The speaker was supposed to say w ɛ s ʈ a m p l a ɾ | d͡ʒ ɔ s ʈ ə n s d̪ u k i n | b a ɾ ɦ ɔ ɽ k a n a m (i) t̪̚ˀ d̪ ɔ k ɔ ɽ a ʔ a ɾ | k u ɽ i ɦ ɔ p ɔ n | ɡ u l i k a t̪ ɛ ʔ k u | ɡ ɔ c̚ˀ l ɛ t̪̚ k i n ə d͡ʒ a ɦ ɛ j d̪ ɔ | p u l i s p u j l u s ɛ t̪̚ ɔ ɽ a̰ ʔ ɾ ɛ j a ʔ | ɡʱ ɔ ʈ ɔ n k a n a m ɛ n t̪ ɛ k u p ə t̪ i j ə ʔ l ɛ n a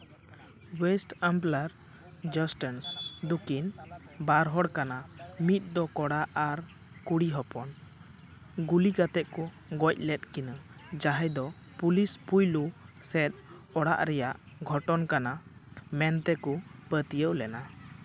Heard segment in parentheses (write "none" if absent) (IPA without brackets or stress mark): i